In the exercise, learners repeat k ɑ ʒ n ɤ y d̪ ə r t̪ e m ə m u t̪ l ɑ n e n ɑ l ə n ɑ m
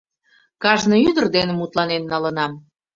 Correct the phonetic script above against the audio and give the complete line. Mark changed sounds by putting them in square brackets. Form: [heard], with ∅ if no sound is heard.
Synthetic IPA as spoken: k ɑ ʒ n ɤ y d̪ ə r [d̪] e [n] ə m u t̪ l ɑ n e [nː] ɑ l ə n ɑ m

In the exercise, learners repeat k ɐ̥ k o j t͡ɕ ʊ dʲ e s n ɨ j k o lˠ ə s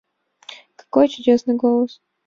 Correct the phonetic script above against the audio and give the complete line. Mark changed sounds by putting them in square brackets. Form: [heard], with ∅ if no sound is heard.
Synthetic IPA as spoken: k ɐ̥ k o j t͡ɕ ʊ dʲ e s n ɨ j [ɡ] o lˠ ə s

